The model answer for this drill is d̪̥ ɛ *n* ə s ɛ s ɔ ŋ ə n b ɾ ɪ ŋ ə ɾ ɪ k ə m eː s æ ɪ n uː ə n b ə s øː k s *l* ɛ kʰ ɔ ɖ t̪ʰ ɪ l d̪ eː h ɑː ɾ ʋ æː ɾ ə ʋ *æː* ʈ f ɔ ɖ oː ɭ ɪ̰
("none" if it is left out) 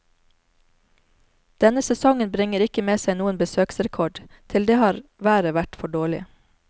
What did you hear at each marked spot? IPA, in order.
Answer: n, ɾ, æ

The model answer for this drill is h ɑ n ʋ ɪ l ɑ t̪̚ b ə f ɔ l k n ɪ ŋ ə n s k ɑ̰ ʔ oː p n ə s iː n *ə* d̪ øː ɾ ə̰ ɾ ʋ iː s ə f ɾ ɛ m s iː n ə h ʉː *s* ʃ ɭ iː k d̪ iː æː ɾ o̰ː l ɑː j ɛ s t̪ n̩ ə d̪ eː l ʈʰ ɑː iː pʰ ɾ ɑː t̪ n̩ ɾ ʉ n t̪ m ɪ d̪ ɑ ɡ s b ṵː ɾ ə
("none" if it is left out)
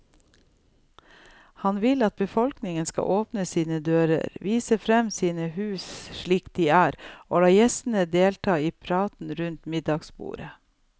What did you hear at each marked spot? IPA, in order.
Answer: ə, s

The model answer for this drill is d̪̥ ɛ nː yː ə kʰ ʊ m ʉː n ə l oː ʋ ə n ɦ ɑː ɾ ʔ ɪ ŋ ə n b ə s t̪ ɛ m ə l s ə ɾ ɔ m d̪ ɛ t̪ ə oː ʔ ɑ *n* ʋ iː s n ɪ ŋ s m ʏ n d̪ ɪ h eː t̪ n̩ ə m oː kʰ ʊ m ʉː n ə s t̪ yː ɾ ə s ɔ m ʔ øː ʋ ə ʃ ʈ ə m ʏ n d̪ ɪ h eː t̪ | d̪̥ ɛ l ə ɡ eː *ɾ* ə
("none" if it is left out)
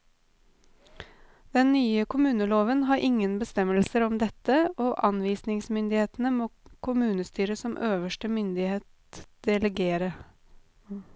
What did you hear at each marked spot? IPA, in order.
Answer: n, ɾ

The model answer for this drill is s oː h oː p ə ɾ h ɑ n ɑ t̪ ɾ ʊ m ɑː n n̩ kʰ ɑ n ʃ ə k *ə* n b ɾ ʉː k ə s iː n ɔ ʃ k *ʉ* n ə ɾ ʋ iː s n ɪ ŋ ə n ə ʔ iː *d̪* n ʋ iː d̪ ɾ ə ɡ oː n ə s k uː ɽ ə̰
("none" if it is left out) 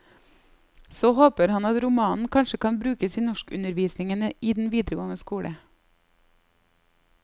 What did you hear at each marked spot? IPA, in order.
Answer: ɑ, ʉ, d̪

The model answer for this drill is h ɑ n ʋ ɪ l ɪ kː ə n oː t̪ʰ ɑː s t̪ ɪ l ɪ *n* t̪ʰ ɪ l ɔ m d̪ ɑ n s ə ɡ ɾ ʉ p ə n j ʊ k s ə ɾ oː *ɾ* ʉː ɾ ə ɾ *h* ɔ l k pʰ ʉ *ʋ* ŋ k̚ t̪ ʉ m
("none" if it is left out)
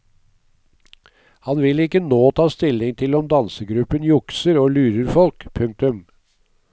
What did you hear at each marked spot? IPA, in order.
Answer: ŋ, l, f, none

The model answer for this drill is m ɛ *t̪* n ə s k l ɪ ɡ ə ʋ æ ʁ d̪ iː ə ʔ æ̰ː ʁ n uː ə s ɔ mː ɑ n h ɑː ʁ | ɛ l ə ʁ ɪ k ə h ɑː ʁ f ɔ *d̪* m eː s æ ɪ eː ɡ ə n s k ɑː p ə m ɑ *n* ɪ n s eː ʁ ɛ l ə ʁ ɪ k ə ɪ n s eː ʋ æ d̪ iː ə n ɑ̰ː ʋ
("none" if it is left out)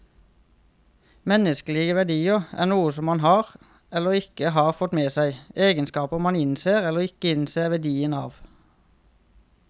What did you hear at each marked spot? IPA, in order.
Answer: none, t̪, n

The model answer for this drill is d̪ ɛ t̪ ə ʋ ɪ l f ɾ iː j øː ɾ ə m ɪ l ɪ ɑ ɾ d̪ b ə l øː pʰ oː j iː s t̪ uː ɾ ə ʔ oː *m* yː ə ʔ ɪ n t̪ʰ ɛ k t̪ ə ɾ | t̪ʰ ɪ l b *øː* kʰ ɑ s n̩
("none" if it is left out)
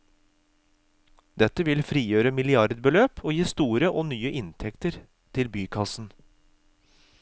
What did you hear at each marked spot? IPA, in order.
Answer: n, yː

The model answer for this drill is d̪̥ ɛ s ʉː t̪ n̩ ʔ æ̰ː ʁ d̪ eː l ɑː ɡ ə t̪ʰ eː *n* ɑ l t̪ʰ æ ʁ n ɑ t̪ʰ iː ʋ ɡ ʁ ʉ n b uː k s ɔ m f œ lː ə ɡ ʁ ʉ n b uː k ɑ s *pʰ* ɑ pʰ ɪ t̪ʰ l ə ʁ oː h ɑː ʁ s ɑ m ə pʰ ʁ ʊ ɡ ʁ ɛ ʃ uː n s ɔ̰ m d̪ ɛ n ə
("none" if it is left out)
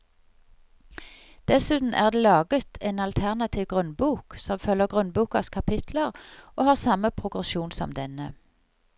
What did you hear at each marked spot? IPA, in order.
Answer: n, kʰ

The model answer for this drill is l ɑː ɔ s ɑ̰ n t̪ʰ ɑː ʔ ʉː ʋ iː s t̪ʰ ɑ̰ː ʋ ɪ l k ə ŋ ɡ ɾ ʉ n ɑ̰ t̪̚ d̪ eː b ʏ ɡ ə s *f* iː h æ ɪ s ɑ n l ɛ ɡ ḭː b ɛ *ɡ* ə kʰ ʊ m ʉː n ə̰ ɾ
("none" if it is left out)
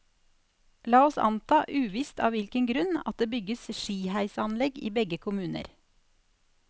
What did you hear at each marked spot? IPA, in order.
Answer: ʃ, ɡ

